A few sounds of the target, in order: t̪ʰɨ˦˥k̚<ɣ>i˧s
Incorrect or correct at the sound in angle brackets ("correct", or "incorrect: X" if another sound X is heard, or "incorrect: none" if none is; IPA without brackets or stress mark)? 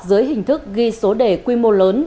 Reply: correct